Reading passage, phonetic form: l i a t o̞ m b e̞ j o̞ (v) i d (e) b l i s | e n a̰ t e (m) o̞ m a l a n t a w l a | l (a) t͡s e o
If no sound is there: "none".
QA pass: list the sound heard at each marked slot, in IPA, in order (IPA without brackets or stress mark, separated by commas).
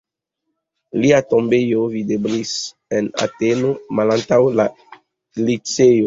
v, e, n, i